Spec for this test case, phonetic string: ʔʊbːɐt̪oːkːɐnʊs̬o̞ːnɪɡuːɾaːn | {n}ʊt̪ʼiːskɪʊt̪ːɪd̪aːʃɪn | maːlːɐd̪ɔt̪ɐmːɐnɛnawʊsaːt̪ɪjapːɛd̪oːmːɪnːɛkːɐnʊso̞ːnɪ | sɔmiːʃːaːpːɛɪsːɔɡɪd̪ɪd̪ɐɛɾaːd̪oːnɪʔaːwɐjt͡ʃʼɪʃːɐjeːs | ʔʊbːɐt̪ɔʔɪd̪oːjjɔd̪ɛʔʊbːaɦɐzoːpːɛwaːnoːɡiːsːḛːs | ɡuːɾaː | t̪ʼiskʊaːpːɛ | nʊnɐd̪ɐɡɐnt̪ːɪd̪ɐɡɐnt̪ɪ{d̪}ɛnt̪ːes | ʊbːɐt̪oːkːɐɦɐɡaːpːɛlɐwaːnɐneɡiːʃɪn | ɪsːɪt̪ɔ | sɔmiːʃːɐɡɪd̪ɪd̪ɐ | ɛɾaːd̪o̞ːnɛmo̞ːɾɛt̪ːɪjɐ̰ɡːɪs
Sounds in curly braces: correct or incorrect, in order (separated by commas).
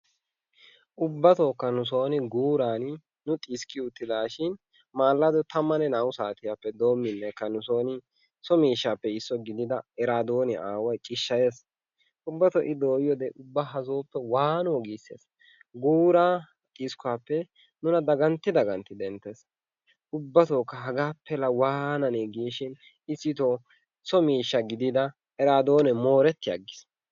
correct, correct